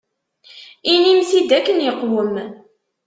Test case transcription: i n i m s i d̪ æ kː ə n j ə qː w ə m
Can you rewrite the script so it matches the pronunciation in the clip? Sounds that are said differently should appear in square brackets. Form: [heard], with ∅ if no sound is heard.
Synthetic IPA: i n i m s i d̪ æ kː ə n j ə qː w ə m